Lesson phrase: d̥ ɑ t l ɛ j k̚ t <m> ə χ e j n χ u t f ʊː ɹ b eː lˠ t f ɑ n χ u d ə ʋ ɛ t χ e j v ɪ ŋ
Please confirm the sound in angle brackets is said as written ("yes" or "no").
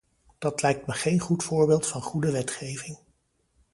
yes